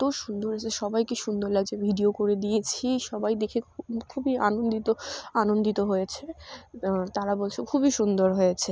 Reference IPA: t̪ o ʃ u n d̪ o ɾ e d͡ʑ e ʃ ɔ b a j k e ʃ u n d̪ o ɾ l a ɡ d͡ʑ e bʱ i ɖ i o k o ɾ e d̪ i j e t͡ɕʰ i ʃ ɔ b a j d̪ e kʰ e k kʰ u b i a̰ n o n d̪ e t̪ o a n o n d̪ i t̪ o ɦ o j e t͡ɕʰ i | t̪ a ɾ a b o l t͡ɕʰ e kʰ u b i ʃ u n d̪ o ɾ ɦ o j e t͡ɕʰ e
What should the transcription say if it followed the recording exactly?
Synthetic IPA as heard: t̪ o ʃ u n d̪ o ɾ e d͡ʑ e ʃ ɔ b a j k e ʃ u n d̪ o ɾ l a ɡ d͡ʑ e bʱ i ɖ i o k o ɾ e d̪ i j e t͡ɕʰ i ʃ ɔ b a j d̪ e kʰ e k kʰ u b i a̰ n o n d̪ i t̪ o a n o n d̪ i t̪ o ɦ o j e t͡ɕʰ e | t̪ a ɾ a b o l t͡ɕʰ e kʰ u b i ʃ u n d̪ o ɾ ɦ o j e t͡ɕʰ e